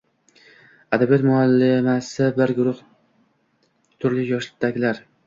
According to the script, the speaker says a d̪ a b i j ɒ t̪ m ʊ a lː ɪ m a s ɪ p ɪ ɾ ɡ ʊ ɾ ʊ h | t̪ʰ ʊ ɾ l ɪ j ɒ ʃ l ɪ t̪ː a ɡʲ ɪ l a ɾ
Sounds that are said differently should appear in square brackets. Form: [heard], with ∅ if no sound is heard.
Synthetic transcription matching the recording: a d̪ a b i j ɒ t̪ m ʊ a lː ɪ m a s ɪ [b] ɪ ɾ ɡ ʊ ɾ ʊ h | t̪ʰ ʊ ɾ l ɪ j ɒ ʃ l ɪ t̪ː a ɡʲ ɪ l a ɾ